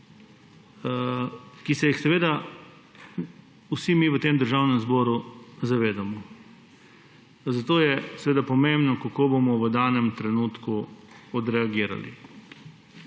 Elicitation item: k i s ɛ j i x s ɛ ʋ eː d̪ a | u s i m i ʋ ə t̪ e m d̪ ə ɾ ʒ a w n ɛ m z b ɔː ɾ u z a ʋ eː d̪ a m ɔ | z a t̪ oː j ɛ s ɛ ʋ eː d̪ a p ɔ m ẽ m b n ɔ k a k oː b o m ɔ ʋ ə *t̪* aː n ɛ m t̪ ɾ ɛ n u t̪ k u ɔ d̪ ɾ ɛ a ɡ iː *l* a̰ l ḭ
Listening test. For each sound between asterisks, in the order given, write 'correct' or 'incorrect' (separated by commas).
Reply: incorrect, incorrect